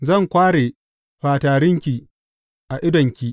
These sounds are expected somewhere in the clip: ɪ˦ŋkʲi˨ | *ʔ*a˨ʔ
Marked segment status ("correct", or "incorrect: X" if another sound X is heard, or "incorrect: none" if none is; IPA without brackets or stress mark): correct